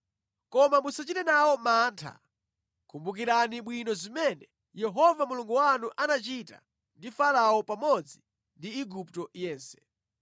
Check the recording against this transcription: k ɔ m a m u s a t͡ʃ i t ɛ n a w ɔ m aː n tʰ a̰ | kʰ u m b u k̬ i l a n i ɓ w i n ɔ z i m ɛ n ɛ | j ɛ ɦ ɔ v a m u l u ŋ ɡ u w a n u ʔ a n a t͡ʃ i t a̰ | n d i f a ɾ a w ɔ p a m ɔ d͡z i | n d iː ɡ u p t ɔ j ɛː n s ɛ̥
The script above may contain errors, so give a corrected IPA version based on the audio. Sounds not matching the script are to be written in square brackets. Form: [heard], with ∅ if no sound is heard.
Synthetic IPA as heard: k ɔ m a m u s a t͡ʃ i t ɛ n a w ɔ m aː n tʰ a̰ | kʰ u m b u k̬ i [ɾ] a n i ɓ w i n ɔ z i m ɛ n ɛ | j ɛ ɦ ɔ v a m u l u ŋ ɡ u w a n u ʔ a n a t͡ʃ i t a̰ | n d i f a [l] a w ɔ p a m ɔ d͡z i | n d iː ɡ u p t ɔ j ɛː n s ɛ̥